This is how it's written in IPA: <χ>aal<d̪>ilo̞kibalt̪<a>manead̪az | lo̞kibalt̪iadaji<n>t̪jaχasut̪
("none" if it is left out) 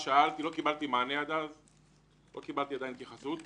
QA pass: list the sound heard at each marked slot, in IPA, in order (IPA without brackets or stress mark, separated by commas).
ʃ, t̪, i, n